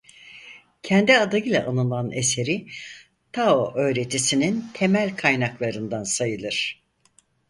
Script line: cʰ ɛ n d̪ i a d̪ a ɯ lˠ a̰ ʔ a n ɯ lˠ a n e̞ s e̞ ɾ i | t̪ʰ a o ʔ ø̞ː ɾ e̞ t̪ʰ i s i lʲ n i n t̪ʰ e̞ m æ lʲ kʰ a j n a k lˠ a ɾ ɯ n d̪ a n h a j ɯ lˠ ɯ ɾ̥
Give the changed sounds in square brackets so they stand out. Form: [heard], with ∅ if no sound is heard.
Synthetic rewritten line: cʰ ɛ n d̪ i a d̪ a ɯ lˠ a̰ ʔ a n ɯ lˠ a n e̞ s e̞ ɾ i | t̪ʰ a o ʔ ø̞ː ɾ e̞ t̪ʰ i s i [∅] n i n t̪ʰ e̞ m æ lʲ kʰ a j n a k lˠ a ɾ ɯ n d̪ a n [s] a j ɯ lˠ ɯ ɾ̥